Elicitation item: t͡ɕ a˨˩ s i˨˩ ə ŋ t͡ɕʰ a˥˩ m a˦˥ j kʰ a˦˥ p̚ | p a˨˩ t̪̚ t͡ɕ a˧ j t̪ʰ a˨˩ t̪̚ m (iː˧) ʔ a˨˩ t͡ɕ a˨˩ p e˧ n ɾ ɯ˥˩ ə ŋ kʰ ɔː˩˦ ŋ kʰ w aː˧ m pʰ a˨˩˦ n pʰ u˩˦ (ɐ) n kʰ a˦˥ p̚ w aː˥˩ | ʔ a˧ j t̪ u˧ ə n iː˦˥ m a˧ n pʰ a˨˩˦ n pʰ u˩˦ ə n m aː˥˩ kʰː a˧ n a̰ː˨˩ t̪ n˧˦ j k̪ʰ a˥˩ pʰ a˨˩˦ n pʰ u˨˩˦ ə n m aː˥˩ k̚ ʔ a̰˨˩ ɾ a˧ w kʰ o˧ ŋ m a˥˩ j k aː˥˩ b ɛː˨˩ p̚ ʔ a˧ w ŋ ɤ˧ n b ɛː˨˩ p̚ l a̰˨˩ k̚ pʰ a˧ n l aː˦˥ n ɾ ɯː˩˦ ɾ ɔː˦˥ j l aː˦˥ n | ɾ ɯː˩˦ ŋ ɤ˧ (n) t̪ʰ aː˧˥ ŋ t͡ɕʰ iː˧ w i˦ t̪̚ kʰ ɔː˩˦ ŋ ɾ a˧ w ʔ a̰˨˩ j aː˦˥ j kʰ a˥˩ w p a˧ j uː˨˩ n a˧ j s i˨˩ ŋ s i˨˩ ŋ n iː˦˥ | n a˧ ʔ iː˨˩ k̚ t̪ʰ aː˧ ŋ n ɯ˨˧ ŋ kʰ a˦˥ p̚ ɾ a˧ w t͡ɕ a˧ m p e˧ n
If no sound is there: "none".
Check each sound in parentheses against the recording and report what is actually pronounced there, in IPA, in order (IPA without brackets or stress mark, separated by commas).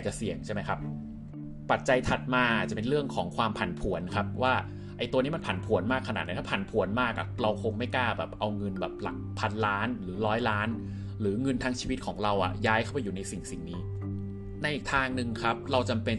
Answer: aː˧, ə, n